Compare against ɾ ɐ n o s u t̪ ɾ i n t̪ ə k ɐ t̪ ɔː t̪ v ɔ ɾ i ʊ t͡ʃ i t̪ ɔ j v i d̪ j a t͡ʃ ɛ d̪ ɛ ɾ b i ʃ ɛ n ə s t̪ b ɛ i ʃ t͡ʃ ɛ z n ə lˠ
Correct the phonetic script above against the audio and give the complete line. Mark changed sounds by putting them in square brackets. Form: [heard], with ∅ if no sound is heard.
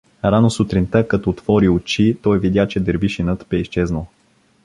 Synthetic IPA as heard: ɾ [a] n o s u t̪ ɾ i n t̪ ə k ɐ t̪ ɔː t̪ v ɔ ɾ i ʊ t͡ʃ i t̪ ɔ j v i d̪ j a t͡ʃ ɛ d̪ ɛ ɾ b i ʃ [i] n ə [∅] t̪ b ɛ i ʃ t͡ʃ ɛ z n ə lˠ